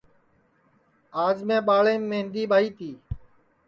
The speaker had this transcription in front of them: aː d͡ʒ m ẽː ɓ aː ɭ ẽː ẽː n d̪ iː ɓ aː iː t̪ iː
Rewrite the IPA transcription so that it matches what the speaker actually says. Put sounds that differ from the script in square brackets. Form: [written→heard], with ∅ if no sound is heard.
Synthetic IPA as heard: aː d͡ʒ m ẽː ɓ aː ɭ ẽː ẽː n d̪ iː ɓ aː iː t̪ iː